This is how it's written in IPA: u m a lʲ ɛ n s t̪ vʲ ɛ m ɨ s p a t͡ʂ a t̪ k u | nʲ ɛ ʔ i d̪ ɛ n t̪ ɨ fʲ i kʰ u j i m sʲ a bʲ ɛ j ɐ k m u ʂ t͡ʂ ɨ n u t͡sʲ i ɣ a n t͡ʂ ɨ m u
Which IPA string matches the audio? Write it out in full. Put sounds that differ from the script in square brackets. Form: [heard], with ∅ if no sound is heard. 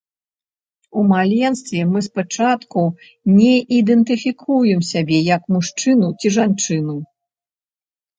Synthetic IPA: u m a lʲ ɛ n s t̪ vʲ ɛ m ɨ s p a t͡ʂ a t̪ k u | nʲ ɛ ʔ i d̪ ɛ n t̪ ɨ fʲ i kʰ u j [ɛ] m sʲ a bʲ ɛ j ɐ k m u ʂ t͡ʂ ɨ n u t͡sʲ i [ʐ] a n t͡ʂ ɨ [n] u